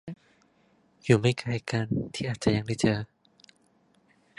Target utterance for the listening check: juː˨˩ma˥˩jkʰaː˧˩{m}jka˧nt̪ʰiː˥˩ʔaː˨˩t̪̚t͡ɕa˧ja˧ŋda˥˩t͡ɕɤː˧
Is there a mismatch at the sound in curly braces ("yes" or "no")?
yes